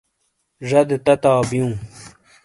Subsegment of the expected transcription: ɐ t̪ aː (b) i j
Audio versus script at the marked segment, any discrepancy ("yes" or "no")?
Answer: no